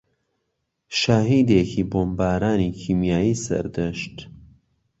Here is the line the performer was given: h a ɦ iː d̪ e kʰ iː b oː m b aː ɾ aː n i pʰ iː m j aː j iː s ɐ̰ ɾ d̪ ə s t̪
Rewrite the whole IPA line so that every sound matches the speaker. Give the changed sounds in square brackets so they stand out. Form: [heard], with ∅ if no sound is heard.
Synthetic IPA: [ʃ] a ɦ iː d̪ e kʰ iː b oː m b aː ɾ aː n i [kʰ] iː m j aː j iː s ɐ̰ ɾ d̪ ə [ʃ] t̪